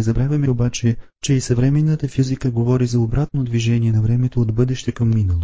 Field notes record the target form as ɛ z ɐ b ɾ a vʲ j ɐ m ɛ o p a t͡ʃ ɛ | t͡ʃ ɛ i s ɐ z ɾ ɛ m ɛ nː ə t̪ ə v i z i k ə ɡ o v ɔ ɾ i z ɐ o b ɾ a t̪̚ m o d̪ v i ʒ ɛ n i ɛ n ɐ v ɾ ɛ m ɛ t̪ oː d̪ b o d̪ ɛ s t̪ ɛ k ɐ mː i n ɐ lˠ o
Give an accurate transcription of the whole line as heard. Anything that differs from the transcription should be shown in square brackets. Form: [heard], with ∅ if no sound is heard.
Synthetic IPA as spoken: ɛ z ɐ b ɾ a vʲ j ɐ m ɛ o [b] a t͡ʃ ɛ | t͡ʃ ɛ i s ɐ [v] ɾ ɛ m ɛ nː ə t̪ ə [f] i z i k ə ɡ o v ɔ ɾ i z ɐ o b ɾ a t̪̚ [n] o d̪ v i ʒ ɛ n i ɛ n ɐ v ɾ ɛ m ɛ t̪ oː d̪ b [ɤ] d̪ ɛ [ʃ] t̪ ɛ k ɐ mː i n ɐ lˠ o